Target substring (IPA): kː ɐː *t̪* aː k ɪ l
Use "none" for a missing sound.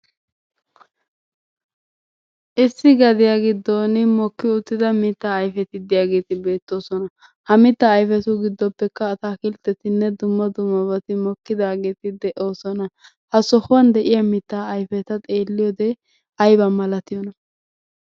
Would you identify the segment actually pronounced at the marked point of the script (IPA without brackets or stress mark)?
t̪